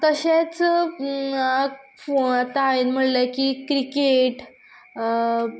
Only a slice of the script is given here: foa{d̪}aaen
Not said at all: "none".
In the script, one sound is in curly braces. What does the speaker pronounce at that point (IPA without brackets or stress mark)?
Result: t̪